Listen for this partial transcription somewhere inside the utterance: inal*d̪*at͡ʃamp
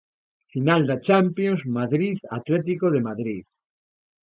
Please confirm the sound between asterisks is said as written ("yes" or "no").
yes